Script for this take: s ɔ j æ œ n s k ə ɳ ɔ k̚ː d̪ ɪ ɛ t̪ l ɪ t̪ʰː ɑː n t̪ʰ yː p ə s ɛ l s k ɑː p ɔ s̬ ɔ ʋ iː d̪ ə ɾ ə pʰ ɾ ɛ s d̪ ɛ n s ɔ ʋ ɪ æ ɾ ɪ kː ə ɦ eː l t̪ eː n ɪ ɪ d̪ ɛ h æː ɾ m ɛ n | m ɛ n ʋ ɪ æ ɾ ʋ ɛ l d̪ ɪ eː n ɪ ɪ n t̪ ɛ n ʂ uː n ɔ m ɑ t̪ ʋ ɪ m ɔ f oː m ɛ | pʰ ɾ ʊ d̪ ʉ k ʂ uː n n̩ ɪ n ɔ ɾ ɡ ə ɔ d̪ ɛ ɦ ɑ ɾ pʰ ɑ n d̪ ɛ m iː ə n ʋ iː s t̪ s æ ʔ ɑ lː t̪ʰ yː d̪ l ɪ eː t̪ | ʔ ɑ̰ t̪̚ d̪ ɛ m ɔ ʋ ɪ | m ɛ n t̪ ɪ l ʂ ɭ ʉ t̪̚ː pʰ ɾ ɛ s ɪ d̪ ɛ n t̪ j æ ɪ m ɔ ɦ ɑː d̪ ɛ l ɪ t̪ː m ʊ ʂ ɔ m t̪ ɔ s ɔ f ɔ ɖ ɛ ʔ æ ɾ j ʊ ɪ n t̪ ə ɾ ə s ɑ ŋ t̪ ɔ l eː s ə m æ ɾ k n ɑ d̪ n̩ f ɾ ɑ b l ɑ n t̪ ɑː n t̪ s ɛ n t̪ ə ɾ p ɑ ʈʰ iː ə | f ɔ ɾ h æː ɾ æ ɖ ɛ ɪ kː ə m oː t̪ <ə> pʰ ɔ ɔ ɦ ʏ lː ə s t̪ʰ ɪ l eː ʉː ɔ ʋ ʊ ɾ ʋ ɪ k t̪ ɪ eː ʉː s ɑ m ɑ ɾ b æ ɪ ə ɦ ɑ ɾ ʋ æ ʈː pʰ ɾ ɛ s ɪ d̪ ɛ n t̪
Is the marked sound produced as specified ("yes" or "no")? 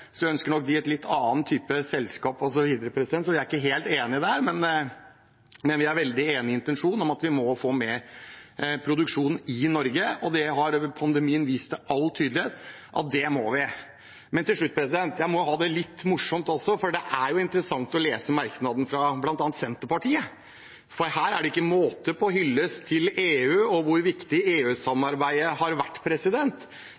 yes